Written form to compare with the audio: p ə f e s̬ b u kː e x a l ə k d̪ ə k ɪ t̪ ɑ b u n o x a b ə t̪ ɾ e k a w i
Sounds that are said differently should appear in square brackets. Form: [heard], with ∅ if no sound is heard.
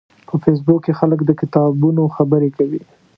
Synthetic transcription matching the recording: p ə f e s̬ b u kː e x a l ə k d̪ ə k ɪ t̪ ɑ b u n o x a b ə [∅] ɾ e k a w i